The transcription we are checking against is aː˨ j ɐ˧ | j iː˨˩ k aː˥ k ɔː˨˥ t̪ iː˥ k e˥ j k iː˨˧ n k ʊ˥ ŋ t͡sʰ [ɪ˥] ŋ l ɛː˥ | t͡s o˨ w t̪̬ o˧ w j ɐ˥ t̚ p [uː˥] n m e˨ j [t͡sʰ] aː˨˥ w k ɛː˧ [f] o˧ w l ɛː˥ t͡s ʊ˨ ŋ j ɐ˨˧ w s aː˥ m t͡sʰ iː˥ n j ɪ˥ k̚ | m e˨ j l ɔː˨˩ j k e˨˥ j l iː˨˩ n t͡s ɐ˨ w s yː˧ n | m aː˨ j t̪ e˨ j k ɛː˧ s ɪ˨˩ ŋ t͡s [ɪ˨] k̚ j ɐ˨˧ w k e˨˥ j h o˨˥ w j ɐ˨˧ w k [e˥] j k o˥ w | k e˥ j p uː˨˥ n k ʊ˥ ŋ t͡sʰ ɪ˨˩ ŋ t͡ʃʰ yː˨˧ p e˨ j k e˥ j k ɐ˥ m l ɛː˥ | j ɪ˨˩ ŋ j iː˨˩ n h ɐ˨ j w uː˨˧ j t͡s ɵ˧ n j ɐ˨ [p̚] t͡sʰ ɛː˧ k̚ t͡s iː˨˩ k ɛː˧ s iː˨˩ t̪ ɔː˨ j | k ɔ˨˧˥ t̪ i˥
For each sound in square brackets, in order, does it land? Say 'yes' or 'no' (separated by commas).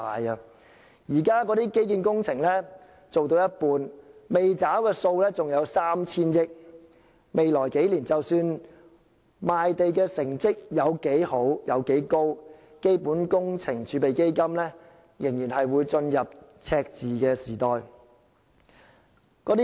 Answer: no, no, no, no, no, no, yes